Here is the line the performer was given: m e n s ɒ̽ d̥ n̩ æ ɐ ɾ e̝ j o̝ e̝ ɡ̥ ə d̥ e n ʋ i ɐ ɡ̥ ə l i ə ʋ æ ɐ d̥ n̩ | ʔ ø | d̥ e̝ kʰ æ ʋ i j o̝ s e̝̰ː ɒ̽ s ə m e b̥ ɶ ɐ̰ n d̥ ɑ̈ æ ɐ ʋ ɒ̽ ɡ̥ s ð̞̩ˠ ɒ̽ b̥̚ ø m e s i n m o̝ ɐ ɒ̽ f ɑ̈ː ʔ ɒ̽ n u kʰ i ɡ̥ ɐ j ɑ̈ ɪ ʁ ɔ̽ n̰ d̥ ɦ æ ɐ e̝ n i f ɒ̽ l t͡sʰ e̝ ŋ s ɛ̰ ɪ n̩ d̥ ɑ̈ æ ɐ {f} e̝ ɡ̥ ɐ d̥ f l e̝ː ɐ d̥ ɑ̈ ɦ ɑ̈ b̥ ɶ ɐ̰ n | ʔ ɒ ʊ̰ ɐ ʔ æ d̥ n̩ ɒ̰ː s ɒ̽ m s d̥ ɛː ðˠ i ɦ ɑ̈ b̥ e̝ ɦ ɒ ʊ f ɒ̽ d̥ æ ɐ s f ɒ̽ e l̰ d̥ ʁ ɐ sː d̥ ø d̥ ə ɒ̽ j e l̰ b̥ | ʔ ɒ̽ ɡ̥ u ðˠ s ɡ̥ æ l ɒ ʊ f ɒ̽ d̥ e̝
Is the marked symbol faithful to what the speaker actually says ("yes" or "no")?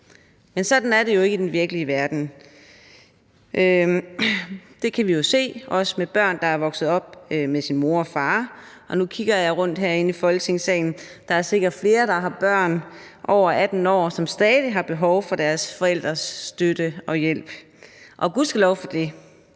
no